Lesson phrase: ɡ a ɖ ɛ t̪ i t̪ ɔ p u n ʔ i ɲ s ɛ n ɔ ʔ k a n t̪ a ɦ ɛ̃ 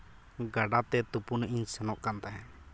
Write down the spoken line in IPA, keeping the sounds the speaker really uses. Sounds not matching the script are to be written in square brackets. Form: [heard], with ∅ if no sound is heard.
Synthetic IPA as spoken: ɡ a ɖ [a] t̪ [ɛ] t̪ [u] p u n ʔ i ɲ s ɛ n ɔ ʔ k a n t̪ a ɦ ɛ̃